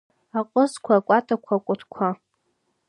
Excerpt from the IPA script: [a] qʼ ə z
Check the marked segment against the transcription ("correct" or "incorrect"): correct